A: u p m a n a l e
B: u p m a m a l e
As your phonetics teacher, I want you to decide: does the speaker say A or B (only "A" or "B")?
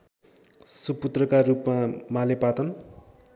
B